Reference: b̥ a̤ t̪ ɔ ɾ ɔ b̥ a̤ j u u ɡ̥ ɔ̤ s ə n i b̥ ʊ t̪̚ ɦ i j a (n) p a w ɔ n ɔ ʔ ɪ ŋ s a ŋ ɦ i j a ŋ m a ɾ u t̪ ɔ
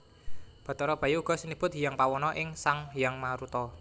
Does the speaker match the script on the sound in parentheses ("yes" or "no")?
no